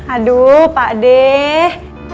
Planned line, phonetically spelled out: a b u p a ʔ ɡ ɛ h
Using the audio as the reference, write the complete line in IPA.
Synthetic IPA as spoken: a d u p a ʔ d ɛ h